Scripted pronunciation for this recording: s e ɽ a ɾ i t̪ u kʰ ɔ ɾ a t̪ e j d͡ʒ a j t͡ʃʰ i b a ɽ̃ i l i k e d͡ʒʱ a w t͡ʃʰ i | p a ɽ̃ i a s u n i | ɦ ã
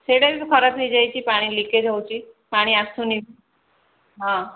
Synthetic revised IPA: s e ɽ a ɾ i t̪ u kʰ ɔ ɾ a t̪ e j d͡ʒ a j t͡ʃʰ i p a ɽ̃ i l i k e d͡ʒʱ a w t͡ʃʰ i | p a ɽ̃ i a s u n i | ɦ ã